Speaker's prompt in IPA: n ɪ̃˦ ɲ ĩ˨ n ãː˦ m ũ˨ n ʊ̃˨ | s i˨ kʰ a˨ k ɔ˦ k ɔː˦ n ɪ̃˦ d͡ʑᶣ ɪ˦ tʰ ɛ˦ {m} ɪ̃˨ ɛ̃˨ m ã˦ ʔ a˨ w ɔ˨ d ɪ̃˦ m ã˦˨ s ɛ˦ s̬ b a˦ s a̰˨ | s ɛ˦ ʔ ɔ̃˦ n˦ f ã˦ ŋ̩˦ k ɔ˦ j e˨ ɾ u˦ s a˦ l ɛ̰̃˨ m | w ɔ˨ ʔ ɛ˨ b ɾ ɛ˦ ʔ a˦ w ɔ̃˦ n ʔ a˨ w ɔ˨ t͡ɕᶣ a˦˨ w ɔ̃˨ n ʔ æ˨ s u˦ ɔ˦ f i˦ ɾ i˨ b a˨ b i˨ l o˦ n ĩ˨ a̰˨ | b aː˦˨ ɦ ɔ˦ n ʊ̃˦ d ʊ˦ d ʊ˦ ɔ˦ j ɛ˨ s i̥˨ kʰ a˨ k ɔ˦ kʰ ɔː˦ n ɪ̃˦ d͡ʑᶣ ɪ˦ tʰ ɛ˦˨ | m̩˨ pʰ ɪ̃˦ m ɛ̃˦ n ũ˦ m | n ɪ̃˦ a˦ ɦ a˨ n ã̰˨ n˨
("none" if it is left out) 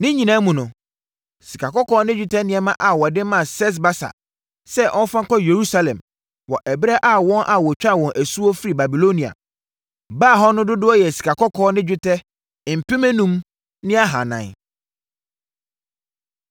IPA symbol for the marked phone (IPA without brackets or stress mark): n